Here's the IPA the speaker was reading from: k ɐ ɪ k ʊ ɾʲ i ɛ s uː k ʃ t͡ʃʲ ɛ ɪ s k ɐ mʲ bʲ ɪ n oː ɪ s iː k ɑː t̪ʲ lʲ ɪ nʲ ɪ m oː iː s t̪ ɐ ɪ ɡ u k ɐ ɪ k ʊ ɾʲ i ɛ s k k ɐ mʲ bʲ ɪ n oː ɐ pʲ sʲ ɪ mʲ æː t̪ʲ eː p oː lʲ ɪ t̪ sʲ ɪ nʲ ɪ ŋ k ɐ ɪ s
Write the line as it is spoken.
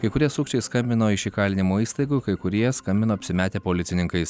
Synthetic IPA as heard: k ɐ ɪ k ʊ ɾʲ i ɛ s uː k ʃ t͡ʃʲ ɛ ɪ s k ɐ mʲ bʲ ɪ n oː ɪ ʃ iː k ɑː lʲ ɪ nʲ ɪ m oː iː s t̪ ɐ ɪ ɡ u k ɐ ɪ k ʊ ɾʲ i ɛ s k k ɐ mʲ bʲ ɪ n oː ɐ pʲ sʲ ɪ mʲ æː t̪ʲ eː p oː lʲ ɪ t̪ sʲ ɪ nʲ ɪ ŋ k ɐ ɪ s